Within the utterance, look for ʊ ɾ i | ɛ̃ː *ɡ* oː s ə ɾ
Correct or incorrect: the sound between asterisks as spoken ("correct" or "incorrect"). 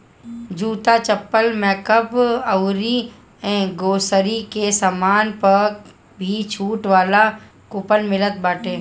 correct